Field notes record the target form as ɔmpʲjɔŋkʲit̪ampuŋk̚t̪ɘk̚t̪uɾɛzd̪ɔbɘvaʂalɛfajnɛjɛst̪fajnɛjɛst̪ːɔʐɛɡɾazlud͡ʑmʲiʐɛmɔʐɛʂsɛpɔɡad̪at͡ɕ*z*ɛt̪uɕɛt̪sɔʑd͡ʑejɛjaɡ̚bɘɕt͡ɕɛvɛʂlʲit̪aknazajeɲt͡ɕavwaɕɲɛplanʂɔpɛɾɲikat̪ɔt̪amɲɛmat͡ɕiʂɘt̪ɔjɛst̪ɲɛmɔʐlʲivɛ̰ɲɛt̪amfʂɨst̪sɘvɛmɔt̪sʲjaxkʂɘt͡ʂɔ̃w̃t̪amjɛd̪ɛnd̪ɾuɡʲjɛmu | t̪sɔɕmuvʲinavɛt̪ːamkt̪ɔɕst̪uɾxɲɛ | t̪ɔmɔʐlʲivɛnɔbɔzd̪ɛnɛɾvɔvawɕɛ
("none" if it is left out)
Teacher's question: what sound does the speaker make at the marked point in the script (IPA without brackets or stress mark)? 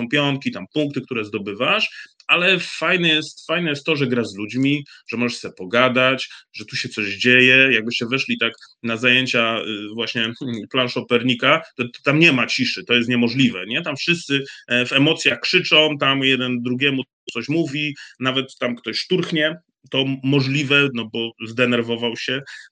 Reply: ʐ